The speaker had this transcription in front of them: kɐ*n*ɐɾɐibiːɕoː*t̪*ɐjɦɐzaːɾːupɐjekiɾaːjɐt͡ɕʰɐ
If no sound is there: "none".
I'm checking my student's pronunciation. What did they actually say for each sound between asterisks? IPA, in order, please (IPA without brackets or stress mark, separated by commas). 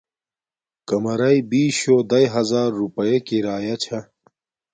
m, d̪